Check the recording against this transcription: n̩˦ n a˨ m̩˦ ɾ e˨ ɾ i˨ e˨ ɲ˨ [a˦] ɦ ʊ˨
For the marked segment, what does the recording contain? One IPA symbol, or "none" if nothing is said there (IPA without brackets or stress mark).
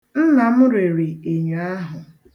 a˦